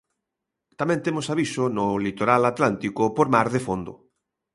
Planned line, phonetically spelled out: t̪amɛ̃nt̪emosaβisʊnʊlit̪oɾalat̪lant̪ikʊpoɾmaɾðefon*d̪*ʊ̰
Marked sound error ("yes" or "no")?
no